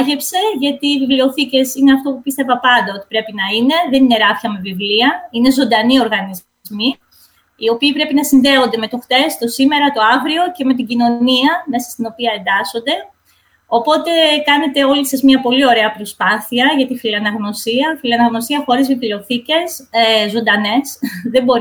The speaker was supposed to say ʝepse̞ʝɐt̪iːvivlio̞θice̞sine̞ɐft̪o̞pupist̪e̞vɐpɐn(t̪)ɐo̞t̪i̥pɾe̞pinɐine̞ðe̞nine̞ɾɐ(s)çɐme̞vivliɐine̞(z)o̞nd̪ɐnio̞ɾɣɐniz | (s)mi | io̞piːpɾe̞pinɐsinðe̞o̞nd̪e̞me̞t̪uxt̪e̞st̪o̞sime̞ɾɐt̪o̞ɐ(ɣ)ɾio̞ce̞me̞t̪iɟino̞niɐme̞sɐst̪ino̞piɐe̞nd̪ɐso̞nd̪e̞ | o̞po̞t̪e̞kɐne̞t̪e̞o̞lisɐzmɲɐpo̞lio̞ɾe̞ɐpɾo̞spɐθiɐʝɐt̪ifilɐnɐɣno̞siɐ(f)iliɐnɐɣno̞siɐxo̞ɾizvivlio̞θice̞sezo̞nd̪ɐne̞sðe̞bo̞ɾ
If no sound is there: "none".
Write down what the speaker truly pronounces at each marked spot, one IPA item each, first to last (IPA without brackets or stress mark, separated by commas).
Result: d̪, f, z, z, v, f